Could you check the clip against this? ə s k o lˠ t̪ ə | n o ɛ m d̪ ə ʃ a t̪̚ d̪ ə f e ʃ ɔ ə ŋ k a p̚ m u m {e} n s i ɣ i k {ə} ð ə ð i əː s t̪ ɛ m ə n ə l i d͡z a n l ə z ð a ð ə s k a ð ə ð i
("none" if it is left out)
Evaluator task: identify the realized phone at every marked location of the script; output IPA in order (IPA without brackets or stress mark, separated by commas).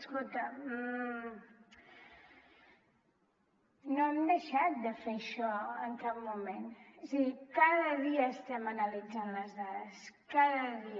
e, a